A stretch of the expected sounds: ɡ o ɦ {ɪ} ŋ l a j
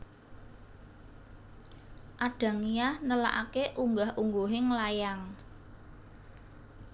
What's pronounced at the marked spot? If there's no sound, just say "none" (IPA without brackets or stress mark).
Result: ɪ